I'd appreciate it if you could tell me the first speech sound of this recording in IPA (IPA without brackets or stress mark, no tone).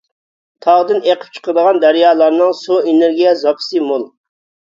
t̪ʰ